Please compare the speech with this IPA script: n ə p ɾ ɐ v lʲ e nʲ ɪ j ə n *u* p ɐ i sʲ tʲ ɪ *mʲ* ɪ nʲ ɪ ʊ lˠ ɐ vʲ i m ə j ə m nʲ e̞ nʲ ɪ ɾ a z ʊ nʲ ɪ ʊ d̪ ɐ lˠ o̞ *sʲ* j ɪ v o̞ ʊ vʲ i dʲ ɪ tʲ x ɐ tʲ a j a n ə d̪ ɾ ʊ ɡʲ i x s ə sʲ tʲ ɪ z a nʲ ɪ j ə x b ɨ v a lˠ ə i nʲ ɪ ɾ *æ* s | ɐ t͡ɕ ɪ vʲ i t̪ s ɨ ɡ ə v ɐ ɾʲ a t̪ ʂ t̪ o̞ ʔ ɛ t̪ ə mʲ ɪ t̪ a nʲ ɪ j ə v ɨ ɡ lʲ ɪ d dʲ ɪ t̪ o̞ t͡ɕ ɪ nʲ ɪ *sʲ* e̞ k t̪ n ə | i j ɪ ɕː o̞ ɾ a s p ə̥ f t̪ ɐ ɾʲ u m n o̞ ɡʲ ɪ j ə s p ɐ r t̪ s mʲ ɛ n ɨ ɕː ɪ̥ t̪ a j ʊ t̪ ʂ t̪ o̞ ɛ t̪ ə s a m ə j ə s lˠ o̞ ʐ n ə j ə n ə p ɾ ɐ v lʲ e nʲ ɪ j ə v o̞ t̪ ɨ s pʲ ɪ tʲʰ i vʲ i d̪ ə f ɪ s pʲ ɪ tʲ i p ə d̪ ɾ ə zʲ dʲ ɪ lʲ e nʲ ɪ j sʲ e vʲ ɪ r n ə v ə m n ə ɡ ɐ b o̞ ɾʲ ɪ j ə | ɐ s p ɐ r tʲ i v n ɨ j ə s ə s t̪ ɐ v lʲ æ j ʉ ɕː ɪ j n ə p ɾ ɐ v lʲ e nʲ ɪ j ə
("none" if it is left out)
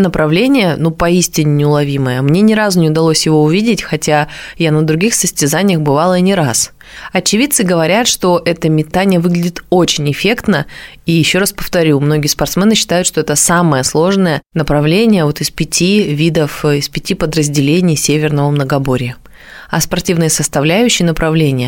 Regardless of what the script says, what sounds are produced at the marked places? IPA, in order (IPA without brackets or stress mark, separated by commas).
u, nʲ, sʲ, a, fʲ